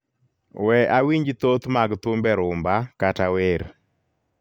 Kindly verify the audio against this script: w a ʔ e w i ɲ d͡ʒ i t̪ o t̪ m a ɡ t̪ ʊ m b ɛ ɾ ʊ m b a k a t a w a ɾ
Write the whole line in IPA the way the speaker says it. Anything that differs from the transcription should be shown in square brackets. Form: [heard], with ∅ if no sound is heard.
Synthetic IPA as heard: w [ɛ] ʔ [a] w i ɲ d͡ʒ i t̪ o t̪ m a ɡ t̪ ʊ m b ɛ ɾ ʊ m b a k a t a w [e] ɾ